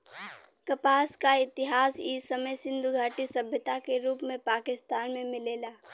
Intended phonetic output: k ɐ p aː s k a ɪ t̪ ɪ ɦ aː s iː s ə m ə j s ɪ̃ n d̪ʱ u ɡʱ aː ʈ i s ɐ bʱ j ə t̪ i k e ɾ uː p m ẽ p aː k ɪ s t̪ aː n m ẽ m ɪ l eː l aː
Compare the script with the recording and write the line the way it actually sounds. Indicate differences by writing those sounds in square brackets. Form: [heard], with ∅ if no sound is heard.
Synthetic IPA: k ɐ p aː s k a ɪ t̪ ɪ ɦ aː s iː s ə m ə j s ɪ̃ n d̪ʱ u ɡʱ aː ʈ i s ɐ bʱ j ə t̪ [a] k e ɾ uː p m ẽ p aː k ɪ s t̪ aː n m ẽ m ɪ l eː l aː